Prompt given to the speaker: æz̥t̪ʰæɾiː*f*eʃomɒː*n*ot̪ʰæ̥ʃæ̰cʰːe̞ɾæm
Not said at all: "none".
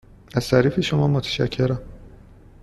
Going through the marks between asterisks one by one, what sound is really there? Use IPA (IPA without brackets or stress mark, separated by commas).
f, m